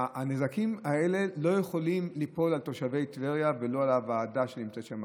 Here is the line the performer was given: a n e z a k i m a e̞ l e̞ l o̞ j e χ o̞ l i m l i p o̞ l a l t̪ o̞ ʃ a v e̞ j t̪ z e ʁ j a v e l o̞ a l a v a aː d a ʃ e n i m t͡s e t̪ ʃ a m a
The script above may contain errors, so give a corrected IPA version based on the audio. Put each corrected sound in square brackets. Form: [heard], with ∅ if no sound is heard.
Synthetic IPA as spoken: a n e z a k i m a e̞ l e̞ l o̞ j e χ o̞ l i m l i p o̞ l a l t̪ o̞ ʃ a v e̞ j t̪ [v] e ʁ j a v e l o̞ a l a v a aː d a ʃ e n i m t͡s e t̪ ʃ a m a